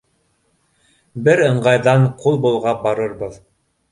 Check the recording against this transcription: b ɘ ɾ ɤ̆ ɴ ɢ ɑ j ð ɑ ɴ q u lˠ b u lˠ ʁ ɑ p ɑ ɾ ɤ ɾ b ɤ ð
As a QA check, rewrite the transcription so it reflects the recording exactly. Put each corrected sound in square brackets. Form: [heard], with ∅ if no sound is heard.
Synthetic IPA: b ɘ ɾ ɤ̆ ɴ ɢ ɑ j ð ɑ ɴ q u lˠ b u lˠ ʁ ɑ [b] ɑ ɾ ɤ ɾ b ɤ ð